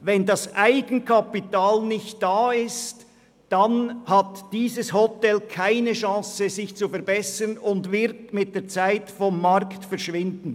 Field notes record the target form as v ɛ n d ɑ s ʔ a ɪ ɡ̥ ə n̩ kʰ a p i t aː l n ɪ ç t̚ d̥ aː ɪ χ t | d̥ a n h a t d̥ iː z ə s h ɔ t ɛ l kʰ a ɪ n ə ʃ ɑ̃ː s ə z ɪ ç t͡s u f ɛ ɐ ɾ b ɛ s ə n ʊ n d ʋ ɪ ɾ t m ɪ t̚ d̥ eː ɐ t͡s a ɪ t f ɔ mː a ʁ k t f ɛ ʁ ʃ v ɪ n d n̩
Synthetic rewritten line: v ɛ n d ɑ s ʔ a ɪ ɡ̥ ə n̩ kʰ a p i t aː l n ɪ ç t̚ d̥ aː ɪ s t | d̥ a n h a t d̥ iː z ə s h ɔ t ɛ l kʰ a ɪ n ə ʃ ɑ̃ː s ə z ɪ ç t͡s u f ɛ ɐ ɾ b ɛ s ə n ʊ n d v ɪ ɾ t m ɪ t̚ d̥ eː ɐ t͡s a ɪ t f ɔ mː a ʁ k t f ɛ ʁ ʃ v ɪ n d n̩